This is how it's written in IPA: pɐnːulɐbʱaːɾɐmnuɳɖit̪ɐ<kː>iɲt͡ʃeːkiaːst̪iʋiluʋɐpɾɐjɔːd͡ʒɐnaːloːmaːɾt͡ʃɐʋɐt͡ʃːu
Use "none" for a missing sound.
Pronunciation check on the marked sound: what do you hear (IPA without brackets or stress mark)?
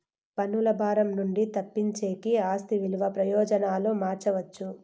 pː